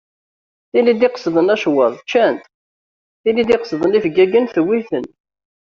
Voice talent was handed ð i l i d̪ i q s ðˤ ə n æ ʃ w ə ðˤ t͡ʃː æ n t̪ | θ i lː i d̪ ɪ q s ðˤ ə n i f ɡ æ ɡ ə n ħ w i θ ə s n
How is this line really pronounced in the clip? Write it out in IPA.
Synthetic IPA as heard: θ i l i d̪ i q s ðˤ ə n æ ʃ w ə ðˤ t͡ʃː æ n t̪ | θ i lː i d̪ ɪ q s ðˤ ə n i f ɡ æ ɡ ə n θ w i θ ə n